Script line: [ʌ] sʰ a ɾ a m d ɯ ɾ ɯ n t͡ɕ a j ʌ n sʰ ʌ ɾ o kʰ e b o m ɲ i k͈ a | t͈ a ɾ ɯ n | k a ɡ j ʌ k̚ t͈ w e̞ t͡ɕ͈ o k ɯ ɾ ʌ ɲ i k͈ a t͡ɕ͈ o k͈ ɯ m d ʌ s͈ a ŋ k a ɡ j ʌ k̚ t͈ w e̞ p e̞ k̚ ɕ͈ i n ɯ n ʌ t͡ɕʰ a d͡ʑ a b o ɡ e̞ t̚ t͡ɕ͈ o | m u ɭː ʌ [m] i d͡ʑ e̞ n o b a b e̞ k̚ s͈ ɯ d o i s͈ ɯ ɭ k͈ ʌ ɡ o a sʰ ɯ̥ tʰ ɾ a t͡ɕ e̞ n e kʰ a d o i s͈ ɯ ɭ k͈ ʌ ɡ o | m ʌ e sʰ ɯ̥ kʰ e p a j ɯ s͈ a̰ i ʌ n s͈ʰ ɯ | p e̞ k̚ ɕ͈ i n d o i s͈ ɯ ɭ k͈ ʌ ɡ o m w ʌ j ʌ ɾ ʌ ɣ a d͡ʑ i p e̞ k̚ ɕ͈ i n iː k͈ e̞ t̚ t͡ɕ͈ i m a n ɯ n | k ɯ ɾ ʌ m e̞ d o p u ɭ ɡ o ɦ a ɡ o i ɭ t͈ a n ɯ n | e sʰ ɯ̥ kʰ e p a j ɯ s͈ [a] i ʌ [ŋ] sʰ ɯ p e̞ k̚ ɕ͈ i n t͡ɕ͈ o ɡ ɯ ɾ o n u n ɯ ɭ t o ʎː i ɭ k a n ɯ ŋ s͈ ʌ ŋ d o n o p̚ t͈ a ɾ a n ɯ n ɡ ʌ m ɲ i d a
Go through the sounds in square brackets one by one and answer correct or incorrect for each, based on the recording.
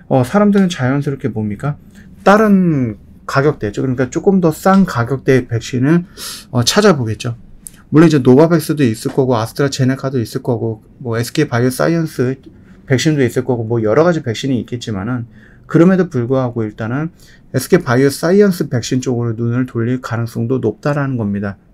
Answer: correct, incorrect: n, correct, incorrect: n

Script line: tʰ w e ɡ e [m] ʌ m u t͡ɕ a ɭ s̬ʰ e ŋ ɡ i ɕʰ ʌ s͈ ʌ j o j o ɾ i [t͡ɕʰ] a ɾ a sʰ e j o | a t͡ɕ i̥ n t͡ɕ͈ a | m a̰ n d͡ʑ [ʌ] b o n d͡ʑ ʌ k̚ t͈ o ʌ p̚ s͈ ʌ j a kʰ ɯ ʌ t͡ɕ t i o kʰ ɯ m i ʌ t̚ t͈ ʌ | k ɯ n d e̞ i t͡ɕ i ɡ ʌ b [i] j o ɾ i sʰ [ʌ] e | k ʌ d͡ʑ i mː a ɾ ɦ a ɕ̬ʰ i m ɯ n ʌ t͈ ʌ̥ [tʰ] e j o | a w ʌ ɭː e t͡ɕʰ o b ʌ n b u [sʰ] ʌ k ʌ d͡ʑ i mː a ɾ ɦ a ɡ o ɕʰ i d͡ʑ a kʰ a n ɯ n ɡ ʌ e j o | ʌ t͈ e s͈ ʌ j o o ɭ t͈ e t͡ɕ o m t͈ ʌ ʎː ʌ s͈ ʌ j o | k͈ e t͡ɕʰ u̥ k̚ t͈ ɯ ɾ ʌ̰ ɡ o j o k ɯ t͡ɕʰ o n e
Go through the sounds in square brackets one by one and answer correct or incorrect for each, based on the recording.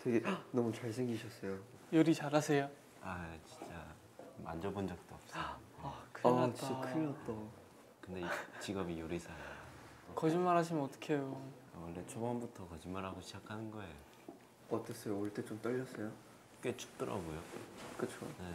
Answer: incorrect: n, incorrect: t͡ɕ, correct, correct, incorrect: a, incorrect: kʰ, incorrect: tʰ

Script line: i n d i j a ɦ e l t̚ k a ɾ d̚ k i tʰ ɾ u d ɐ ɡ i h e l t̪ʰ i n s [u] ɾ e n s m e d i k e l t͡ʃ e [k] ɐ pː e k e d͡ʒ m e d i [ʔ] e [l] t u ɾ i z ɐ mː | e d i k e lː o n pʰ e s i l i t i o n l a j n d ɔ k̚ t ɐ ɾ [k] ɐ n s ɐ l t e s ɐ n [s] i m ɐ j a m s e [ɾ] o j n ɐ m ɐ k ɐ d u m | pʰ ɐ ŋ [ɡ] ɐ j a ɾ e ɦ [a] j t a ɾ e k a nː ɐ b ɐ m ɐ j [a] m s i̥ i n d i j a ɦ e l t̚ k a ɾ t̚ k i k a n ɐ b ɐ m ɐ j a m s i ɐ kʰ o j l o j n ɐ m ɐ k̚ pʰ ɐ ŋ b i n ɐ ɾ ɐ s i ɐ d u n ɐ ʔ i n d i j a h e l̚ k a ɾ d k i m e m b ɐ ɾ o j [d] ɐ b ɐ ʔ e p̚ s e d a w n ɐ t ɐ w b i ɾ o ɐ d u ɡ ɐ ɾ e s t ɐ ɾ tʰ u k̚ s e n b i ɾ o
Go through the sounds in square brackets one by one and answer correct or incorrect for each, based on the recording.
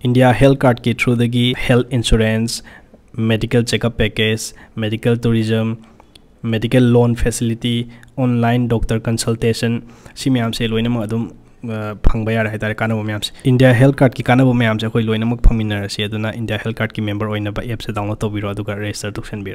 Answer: correct, correct, incorrect: k, correct, correct, correct, incorrect: l, incorrect: b, correct, correct, incorrect: n

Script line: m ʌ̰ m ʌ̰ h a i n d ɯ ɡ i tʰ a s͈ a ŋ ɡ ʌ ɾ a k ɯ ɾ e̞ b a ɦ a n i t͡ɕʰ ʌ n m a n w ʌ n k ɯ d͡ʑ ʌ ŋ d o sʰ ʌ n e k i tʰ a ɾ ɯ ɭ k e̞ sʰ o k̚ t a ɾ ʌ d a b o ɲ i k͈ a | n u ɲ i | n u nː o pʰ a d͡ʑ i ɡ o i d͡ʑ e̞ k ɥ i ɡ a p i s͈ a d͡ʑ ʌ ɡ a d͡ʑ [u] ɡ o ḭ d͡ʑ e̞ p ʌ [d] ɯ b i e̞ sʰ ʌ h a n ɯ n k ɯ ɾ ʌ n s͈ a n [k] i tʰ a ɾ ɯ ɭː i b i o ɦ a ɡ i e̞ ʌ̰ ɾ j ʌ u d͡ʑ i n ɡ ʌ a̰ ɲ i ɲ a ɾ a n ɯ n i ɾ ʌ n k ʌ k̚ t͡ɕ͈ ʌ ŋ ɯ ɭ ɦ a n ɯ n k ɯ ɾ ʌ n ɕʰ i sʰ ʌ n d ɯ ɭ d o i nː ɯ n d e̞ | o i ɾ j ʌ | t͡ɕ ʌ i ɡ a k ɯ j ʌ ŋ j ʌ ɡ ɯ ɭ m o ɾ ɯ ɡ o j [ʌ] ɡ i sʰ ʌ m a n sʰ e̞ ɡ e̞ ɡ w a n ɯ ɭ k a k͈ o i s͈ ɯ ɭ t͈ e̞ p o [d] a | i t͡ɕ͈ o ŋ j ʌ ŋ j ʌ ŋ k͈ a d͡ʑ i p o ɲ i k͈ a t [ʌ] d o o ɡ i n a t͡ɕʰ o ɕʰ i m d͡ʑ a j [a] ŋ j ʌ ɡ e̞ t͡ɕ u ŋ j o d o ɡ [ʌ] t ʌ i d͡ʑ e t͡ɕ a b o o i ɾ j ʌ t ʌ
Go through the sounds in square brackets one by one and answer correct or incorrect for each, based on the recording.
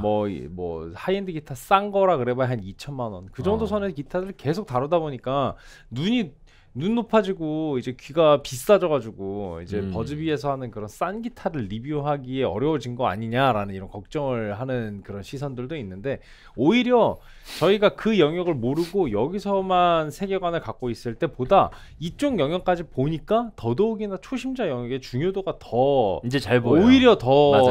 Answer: correct, incorrect: d͡ʑ, incorrect: ɡ, correct, correct, correct, incorrect: ʌ, incorrect: a

